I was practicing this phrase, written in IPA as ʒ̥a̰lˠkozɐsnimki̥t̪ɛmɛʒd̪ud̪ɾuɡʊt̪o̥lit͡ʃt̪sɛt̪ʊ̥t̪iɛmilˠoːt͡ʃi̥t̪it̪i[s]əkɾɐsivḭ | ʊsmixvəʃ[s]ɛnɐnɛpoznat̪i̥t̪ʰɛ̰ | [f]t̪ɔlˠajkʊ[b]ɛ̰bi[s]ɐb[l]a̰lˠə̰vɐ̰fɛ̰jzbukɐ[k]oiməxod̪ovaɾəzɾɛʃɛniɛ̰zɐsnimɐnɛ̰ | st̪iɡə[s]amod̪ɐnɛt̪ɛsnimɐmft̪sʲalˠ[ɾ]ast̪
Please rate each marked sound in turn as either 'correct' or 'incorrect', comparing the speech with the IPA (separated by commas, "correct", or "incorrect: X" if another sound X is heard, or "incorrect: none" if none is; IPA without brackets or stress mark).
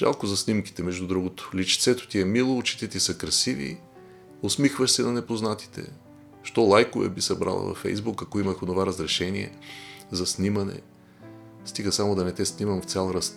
correct, correct, incorrect: ʃ, incorrect: v, correct, incorrect: ɾ, correct, correct, correct